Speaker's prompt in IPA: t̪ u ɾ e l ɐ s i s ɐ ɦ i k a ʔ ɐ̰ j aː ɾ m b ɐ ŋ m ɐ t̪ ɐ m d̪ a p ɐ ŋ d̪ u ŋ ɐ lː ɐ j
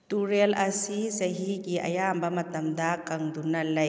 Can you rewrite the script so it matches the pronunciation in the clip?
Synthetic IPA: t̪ u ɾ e l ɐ s i s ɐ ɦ i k i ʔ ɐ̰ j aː m b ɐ m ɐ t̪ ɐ m d̪ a k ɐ ŋ d̪ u n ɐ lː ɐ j